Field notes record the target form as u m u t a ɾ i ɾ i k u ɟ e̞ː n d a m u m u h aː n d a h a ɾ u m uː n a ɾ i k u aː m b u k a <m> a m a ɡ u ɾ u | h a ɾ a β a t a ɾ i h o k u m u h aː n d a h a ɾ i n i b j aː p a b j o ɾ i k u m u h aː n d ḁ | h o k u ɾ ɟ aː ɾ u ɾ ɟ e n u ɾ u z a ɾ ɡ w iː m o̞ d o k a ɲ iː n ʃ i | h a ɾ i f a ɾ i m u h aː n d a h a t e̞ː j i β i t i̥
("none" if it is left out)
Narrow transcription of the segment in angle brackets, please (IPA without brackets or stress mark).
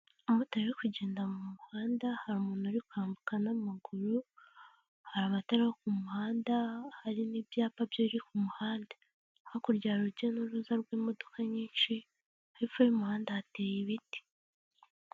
n